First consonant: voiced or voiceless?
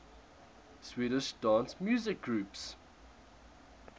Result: voiceless